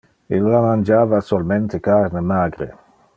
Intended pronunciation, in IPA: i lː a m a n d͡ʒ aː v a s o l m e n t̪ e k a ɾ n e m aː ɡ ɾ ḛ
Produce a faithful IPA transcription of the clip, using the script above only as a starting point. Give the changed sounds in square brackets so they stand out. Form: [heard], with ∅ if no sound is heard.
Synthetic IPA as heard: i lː a m a n d͡ʒ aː v a s o l m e n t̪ e k a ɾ n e m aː ɡ ɾ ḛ

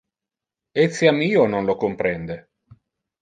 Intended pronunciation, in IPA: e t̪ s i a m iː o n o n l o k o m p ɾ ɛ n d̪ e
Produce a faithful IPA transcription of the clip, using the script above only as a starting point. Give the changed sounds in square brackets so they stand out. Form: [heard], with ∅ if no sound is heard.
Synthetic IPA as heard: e t̪ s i a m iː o n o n l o k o m p ɾ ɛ n d̪ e

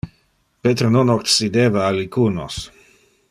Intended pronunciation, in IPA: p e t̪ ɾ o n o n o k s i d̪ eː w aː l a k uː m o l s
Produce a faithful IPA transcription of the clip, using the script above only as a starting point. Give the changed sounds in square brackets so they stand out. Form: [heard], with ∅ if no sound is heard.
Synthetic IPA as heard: p e t̪ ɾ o n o n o k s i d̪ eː [v] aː l [i] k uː [n] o [∅] s

